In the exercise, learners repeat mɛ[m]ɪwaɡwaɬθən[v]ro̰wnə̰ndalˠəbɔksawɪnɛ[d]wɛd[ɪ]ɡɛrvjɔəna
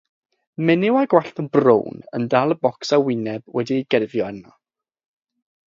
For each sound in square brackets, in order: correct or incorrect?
incorrect, incorrect, incorrect, incorrect

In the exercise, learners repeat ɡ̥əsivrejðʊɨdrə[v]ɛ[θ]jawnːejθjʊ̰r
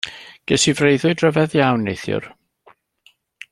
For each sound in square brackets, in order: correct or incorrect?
correct, incorrect

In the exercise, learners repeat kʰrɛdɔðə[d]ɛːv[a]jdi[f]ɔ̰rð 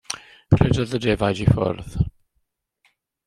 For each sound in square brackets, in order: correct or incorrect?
correct, correct, correct

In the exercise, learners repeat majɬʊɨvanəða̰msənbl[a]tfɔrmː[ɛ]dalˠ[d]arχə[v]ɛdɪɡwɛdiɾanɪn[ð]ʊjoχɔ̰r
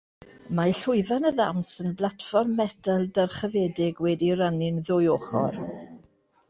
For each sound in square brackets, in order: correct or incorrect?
correct, correct, correct, correct, correct

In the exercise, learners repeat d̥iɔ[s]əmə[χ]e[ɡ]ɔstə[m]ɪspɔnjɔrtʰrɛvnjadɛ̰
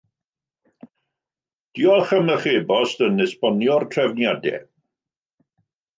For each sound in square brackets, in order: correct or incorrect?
incorrect, correct, incorrect, incorrect

